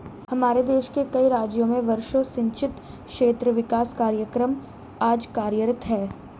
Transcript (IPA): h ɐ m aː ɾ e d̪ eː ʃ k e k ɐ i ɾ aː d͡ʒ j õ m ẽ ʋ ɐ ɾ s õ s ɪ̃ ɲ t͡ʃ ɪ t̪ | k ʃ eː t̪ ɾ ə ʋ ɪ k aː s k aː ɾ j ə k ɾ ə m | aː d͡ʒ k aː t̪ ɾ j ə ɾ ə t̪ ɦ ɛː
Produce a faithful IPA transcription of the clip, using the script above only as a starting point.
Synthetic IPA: h ɐ m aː ɾ e d̪ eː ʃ k e k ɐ i ɾ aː d͡ʒ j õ m ẽ ʋ ɐ ɾ ʃ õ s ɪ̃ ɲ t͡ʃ ɪ t̪ | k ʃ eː t̪ ɾ ə ʋ ɪ k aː s k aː ɾ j ə k ɾ ə m | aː d͡ʒ k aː ɾ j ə ɾ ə t̪ ɦ ɛː